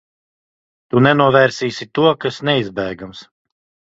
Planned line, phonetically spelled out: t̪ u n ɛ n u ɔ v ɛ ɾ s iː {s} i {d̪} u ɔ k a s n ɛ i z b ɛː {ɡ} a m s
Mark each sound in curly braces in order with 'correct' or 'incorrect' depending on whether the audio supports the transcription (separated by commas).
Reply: correct, incorrect, correct